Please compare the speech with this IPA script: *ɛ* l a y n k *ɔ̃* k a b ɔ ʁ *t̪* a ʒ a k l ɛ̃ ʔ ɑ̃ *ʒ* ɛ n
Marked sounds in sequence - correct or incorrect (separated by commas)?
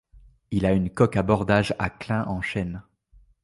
incorrect, incorrect, incorrect, incorrect